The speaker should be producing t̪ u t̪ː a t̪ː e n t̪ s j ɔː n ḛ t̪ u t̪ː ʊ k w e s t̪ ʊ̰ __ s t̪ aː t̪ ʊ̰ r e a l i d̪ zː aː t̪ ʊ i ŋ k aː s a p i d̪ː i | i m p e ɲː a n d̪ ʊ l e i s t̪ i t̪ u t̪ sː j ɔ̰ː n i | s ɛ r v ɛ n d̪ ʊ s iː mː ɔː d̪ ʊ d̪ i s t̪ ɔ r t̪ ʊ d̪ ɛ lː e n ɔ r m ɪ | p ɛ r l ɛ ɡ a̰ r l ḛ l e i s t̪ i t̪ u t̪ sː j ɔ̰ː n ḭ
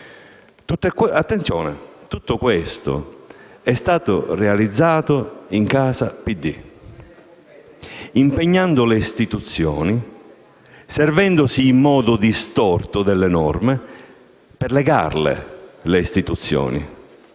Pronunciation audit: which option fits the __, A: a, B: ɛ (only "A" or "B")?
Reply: B